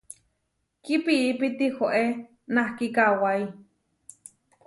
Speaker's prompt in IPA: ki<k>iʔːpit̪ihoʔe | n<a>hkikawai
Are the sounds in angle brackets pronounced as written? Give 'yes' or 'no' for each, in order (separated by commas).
no, yes